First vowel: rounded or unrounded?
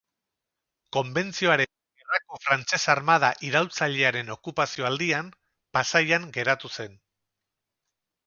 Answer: rounded